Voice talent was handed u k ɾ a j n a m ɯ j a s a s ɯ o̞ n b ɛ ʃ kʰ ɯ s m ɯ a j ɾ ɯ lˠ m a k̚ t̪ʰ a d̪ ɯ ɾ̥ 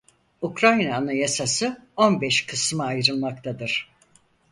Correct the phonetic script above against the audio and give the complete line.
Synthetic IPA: u k ɾ a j n a n ɯ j a s a s ɯ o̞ n b ɛ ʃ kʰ ɯ s m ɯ a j ɾ ɯ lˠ m a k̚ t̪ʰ a d̪ ɯ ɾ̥